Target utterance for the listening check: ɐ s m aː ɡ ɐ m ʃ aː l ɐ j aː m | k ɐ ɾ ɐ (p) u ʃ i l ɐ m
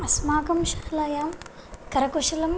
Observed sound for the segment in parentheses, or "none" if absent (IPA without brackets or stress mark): k